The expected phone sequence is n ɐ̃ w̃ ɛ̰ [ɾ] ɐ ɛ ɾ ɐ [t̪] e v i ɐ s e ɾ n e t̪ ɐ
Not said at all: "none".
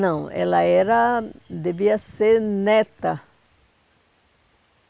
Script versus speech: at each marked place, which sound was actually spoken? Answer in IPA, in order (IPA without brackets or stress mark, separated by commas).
l, d̪